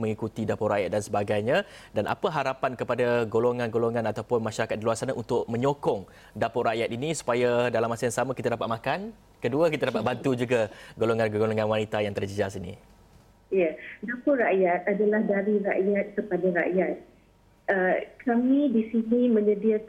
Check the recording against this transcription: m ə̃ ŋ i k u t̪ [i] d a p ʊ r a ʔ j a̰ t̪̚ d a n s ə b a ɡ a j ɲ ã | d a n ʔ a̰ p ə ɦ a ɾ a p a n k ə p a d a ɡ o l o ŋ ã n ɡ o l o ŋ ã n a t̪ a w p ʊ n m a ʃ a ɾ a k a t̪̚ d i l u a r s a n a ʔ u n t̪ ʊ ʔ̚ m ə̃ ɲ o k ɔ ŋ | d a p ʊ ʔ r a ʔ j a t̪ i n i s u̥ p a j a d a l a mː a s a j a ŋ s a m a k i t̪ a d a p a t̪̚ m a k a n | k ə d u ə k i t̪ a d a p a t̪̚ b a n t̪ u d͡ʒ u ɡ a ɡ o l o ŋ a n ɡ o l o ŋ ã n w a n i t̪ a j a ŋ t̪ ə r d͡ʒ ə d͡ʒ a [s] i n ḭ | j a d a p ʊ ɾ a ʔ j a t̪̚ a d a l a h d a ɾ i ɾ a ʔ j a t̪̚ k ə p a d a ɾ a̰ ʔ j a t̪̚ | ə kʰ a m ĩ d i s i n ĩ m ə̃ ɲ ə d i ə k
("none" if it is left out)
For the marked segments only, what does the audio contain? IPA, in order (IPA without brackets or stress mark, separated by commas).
i, s